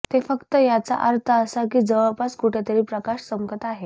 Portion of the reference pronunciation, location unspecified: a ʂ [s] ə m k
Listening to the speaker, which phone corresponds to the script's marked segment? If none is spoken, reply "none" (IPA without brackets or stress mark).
s